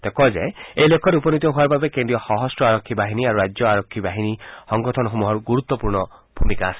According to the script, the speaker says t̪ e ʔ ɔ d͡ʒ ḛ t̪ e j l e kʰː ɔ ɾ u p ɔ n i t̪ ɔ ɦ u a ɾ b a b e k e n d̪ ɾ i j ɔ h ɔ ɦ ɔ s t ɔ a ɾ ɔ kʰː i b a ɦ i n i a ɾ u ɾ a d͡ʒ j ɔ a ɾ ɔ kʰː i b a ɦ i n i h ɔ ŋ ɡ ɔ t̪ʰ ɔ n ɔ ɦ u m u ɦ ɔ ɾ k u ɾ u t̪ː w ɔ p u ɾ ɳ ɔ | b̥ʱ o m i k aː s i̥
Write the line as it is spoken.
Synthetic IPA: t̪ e k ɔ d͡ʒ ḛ e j l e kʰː ɔ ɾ u p ɔ n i t̪ ɔ ɦ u a ɾ b a b e k e n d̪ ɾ i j ɔ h ɔ ɦ ɔ s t ɔ a ɾ ɔ kʰː i b a ɦ i n i a ɾ u ɾ a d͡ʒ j ɔ a ɾ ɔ kʰː i b a ɦ i n i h ɔ ŋ ɡ ɔ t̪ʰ ɔ n ɔ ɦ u m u ɦ ɔ ɾ ɡ u ɾ u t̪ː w ɔ p u ɾ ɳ ɔ | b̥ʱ u m i k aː s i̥